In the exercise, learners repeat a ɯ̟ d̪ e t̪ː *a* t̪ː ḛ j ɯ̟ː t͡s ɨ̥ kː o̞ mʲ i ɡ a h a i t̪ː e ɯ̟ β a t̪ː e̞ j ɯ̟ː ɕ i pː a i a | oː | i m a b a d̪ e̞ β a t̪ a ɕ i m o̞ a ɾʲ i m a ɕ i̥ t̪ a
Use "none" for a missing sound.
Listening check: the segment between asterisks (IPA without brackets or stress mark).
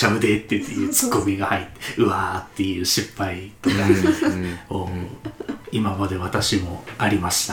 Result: e